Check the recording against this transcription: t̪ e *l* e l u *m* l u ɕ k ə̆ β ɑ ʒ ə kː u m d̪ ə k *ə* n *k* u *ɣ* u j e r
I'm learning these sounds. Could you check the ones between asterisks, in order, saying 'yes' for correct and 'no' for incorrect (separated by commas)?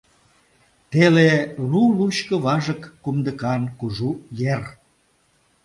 yes, no, no, yes, no